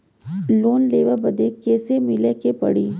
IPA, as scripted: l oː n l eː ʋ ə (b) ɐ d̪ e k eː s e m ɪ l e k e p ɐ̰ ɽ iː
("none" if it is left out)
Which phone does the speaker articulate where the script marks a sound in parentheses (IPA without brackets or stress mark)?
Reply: b